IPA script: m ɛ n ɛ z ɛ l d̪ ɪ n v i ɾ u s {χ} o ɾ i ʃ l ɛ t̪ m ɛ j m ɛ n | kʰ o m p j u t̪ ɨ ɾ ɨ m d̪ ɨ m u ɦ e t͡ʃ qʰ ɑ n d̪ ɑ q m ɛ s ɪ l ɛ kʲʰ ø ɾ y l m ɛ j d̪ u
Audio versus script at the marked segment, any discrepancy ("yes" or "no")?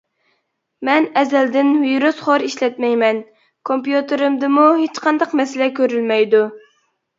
no